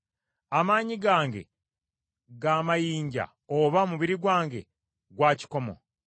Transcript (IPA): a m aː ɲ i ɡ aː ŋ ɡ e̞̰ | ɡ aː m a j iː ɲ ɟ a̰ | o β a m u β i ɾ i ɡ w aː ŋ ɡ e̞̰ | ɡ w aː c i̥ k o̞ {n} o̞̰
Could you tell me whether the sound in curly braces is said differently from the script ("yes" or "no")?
yes